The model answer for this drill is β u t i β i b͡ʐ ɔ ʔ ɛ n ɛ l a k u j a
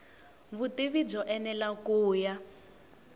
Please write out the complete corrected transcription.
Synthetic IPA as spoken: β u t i β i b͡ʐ ɔ ʔ ɛ n ɛ l a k uː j a